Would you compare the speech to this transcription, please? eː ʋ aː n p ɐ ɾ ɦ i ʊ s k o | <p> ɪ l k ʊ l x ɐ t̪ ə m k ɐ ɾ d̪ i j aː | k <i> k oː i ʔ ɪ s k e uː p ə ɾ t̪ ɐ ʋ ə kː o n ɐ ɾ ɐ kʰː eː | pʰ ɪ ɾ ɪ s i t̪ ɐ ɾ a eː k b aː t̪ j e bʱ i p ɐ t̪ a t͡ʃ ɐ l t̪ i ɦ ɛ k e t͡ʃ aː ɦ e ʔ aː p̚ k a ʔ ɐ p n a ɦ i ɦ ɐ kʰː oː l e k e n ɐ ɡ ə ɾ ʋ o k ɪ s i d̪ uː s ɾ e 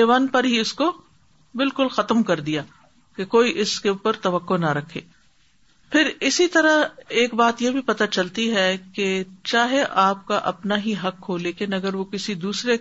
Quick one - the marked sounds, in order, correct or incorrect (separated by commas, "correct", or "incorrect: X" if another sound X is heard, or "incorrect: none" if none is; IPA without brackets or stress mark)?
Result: incorrect: b, incorrect: e